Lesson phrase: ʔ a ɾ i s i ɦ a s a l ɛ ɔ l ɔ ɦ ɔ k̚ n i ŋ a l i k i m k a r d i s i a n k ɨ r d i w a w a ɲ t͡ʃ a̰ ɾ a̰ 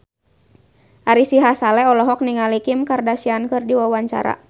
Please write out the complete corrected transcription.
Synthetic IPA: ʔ a ɾ i s i ɦ a s a l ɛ ɔ l ɔ ɦ ɔ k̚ n i ŋ a l i k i m k a r d a s i a n k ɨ r d i w a w a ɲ t͡ʃ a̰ ɾ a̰